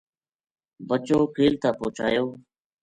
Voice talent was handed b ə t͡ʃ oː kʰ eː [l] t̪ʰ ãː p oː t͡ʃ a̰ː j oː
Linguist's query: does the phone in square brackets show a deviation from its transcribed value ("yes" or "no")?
no